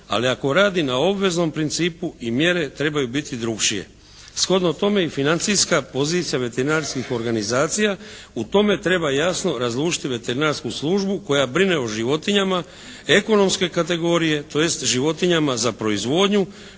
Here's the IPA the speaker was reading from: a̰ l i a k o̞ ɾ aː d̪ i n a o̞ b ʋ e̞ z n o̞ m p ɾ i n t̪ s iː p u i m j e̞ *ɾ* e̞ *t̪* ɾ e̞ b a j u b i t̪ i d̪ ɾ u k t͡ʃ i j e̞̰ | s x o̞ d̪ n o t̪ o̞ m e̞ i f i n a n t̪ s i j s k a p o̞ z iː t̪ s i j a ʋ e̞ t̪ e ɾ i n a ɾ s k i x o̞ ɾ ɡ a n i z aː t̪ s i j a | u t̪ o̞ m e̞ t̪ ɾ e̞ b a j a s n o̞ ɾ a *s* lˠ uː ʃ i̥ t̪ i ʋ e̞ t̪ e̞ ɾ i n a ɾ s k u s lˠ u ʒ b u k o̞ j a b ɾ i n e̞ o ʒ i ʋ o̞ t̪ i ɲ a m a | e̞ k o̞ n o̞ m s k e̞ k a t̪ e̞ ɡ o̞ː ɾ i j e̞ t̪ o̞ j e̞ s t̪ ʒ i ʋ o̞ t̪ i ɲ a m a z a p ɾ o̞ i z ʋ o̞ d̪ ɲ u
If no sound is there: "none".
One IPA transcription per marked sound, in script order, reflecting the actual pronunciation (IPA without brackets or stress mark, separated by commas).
ɾ, t̪, z